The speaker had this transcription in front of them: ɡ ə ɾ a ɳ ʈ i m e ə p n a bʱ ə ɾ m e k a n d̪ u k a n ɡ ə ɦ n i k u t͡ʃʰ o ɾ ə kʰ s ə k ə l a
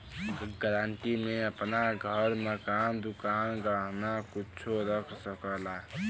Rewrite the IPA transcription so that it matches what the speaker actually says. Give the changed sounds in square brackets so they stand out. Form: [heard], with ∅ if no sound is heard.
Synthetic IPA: ɡ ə ɾ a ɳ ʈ i m e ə p n a [ɡʱ] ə ɾ m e k a n d̪ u k a n ɡ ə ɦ n [a] k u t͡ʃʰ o ɾ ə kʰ s ə k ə l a